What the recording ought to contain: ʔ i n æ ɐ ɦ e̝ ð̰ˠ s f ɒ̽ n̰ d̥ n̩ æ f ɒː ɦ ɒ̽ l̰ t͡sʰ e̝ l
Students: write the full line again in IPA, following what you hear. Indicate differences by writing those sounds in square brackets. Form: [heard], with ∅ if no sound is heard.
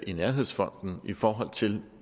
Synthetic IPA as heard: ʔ i n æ ɐ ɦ e̝ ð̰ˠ s f ɒ̽ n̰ d̥ n̩ [i] f ɒː ɦ ɒ̽ l̰ t͡sʰ e̝ l